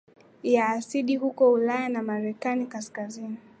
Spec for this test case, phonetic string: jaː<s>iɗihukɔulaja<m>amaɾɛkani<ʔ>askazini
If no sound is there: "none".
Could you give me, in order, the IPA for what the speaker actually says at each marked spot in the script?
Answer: s, n, k

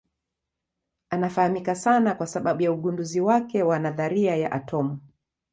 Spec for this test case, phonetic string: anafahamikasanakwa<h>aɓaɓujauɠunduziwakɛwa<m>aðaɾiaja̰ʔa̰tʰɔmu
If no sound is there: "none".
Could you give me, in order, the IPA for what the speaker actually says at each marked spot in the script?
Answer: s, n

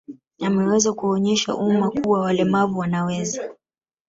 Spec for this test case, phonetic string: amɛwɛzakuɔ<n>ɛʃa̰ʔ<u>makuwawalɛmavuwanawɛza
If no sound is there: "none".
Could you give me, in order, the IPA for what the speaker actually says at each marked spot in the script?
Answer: ɲ, u

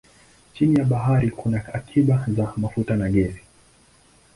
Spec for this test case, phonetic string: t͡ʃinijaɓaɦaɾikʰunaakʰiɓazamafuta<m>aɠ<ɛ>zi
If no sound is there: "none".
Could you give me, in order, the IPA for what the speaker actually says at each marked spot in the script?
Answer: n, ɛ

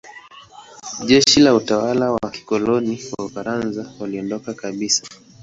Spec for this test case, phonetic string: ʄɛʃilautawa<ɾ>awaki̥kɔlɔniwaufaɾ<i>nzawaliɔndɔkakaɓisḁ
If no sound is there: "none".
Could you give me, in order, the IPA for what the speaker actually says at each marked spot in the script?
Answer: l, a

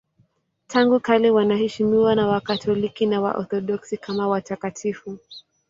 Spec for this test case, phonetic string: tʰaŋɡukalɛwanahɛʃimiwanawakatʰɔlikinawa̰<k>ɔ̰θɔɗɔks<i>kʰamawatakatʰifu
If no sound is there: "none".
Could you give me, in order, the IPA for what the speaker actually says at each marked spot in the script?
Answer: ʔ, i

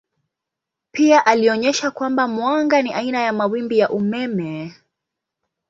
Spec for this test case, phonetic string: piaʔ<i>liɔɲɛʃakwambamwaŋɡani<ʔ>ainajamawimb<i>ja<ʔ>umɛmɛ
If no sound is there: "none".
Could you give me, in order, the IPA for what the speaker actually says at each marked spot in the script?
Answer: a, ʔ, i, ʔ

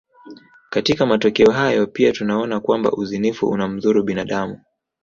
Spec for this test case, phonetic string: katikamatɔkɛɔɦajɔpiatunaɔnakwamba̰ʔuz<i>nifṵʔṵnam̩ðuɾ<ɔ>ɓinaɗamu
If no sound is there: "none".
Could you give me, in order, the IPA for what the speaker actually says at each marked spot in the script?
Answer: i, u

